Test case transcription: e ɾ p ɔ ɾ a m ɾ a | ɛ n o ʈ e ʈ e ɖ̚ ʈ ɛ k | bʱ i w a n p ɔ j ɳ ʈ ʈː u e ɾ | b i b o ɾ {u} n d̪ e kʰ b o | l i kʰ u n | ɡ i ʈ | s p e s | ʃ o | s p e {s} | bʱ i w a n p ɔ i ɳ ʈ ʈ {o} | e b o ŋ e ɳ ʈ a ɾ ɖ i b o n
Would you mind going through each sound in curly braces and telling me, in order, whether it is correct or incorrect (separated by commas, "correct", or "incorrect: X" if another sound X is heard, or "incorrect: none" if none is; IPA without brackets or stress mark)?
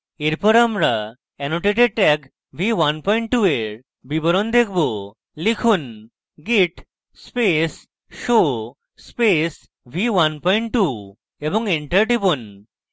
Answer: incorrect: o, correct, incorrect: u